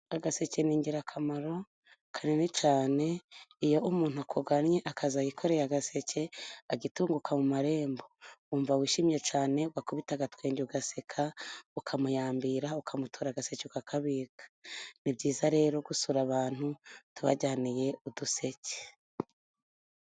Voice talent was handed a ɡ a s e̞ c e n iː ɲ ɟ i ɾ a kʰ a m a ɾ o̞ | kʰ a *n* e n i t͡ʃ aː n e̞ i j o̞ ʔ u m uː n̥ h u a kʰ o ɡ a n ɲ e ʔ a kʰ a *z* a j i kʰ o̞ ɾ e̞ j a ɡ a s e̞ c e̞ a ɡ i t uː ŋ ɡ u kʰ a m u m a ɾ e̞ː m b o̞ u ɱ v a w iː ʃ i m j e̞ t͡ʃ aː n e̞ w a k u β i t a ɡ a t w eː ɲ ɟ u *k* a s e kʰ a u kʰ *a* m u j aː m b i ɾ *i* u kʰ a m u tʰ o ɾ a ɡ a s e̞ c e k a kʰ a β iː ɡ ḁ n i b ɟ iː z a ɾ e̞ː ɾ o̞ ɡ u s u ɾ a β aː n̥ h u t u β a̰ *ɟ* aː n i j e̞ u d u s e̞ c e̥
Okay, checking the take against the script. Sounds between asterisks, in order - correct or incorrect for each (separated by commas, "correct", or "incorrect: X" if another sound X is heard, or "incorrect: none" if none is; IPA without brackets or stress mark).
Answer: correct, correct, incorrect: ɡ, correct, incorrect: a, correct